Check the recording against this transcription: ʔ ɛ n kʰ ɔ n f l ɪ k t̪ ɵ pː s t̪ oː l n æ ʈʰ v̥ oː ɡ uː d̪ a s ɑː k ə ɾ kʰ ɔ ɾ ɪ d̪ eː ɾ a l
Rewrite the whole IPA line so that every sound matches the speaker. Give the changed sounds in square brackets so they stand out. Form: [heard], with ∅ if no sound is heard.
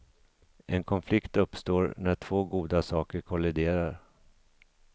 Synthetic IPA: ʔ ɛ n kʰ ɔ n f l ɪ k t̪ ɵ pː s t̪ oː [ɾ] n æ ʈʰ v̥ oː ɡ uː d̪ a s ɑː k ə ɾ kʰ ɔ [l] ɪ d̪ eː ɾ a [ɾ]